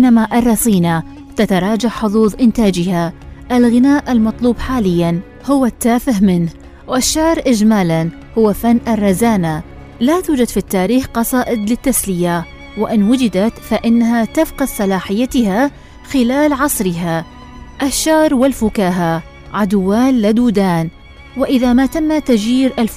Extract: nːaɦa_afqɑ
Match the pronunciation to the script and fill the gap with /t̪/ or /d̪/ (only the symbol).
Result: t̪